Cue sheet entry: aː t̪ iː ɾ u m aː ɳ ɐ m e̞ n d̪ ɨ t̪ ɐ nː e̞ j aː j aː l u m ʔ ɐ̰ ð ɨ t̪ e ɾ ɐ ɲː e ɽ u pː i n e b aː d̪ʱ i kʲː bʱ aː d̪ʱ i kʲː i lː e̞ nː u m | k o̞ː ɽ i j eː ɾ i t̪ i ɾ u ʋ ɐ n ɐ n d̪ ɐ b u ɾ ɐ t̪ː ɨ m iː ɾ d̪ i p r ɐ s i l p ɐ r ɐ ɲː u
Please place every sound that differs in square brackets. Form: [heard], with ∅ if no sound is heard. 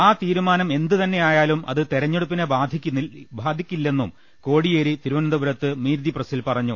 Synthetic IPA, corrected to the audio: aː t̪ iː ɾ u m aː [n] ɐ m e̞ n d̪ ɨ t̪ ɐ nː e̞ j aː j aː l u m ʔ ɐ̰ ð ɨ t̪ e ɾ ɐ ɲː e ɽ u pː i n e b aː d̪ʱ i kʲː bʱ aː d̪ʱ i kʲː i lː e̞ nː u m | k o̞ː ɽ i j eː ɾ i t̪ i ɾ u ʋ ɐ n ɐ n d̪ ɐ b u ɾ ɐ t̪ː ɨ m iː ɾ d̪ i p r ɐ s i l p ɐ r ɐ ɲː u

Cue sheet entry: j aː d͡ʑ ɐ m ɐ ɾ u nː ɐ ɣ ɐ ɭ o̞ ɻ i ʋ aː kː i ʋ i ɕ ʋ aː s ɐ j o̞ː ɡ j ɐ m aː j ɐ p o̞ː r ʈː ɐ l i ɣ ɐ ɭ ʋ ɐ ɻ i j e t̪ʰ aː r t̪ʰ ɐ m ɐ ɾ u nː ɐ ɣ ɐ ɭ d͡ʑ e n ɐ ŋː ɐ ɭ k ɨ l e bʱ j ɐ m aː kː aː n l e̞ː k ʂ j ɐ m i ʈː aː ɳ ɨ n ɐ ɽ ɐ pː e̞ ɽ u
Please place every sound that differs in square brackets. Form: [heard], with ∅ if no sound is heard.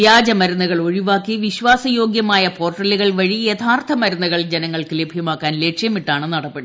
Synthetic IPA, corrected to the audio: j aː d͡ʑ ɐ m ɐ ɾ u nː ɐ ɣ ɐ ɭ o̞ ɻ i ʋ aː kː i ʋ i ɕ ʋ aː s ɐ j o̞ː ɡ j ɐ m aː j ɐ p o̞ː r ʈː ɐ l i ɣ ɐ ɭ ʋ ɐ ɻ i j e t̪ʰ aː r t̪ʰ ɐ m ɐ ɾ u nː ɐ ɣ ɐ ɭ d͡ʑ e n ɐ ŋː ɐ ɭ k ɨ l e bʱ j ɐ m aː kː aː n l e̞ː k ʂ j ɐ m i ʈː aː ɳ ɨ n ɐ ɽ ɐ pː e̞ ɽ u

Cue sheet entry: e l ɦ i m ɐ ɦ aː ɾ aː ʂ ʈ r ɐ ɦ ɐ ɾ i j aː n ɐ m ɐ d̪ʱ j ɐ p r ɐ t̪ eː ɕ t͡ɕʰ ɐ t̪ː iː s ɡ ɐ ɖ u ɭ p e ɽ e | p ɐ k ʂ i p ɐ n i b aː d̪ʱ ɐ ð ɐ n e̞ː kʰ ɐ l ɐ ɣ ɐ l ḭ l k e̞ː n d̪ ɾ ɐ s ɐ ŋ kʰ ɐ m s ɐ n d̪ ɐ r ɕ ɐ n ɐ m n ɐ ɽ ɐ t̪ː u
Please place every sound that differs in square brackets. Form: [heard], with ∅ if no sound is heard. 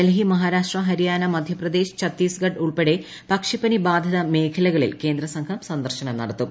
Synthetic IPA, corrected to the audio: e l ɦ i m ɐ ɦ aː ɾ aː ʂ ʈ r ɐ ɦ ɐ ɾ i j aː n ɐ m ɐ d̪ʱ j ɐ p r ɐ [d̪] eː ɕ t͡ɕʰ ɐ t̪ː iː s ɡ ɐ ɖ u ɭ p e ɽ e | p ɐ k ʂ i p ɐ n i b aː d̪ʱ ɐ ð ɐ [m] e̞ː kʰ ɐ l ɐ ɣ ɐ [ɭ] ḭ l k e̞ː n d̪ ɾ ɐ s ɐ ŋ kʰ ɐ m s ɐ n d̪ ɐ r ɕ ɐ n ɐ m n ɐ ɽ ɐ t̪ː u

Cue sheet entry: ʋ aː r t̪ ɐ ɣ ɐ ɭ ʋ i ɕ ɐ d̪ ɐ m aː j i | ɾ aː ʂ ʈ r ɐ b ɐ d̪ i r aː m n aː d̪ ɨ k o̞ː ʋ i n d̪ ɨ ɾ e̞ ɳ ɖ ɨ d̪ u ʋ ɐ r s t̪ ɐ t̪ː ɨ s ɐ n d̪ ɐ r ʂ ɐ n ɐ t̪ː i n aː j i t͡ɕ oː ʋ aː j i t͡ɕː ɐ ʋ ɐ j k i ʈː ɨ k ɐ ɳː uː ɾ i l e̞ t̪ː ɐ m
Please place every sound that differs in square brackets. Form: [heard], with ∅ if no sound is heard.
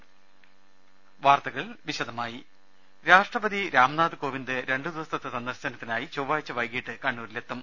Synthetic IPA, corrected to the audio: ʋ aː r t̪ ɐ ɣ ɐ ɭ ʋ i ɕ ɐ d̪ ɐ m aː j i | ɾ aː ʂ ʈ r ɐ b ɐ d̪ i [ɾ] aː m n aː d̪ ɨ k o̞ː ʋ i n d̪ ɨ ɾ e̞ ɳ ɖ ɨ d̪ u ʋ ɐ [∅] s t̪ ɐ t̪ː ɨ s ɐ n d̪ ɐ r [ɕ] ɐ n ɐ t̪ː i n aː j i t͡ɕ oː ʋ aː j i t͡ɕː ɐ ʋ ɐ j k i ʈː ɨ k ɐ ɳː uː ɾ i l e̞ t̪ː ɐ m

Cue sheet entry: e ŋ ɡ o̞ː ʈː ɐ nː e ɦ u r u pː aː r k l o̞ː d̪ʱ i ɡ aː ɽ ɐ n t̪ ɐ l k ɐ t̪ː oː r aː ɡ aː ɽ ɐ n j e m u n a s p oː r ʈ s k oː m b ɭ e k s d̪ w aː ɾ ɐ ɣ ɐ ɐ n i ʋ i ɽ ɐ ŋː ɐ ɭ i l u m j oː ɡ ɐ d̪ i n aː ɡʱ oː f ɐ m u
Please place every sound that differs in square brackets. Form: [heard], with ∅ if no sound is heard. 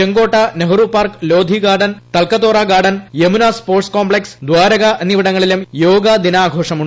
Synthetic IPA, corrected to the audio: e ŋ ɡ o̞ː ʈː ɐ [n] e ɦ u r u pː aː r k l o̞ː d̪ʱ i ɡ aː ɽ ɐ n t̪ ɐ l k ɐ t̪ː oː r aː ɡ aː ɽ ɐ n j e m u n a s p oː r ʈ s k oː m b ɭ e k s d̪ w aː ɾ ɐ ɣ ɐ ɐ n i ʋ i ɽ ɐ ŋː ɐ ɭ i l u m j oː ɡ ɐ d̪ i n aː ɡʱ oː [ʂ] ɐ m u

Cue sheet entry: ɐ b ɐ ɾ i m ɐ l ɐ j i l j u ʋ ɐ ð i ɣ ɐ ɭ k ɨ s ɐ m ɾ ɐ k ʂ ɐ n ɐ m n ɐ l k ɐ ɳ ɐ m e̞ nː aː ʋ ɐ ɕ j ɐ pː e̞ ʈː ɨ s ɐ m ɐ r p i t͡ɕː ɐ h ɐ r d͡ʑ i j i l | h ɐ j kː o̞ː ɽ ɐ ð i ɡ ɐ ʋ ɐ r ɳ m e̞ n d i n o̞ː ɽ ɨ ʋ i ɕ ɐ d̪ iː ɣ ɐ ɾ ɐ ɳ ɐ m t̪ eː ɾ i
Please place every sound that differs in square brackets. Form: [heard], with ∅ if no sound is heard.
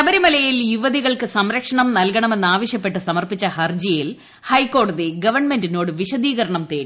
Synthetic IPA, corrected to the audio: ɐ b ɐ ɾ i m ɐ l ɐ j i l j u ʋ ɐ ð i ɣ ɐ ɭ k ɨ s ɐ m ɾ ɐ k ʂ ɐ [ɳ] ɐ m n ɐ l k ɐ ɳ ɐ m e̞ nː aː ʋ ɐ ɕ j ɐ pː e̞ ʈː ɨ s ɐ m ɐ r p i t͡ɕː ɐ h ɐ r d͡ʑ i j i l | h ɐ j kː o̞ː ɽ ɐ ð i ɡ ɐ ʋ ɐ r ɳ m e̞ n d i n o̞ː ɽ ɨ ʋ i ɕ ɐ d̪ iː ɣ ɐ ɾ ɐ ɳ ɐ m t̪ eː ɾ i

